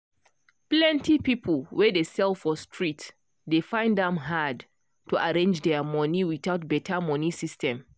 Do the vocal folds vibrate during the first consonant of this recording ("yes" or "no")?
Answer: no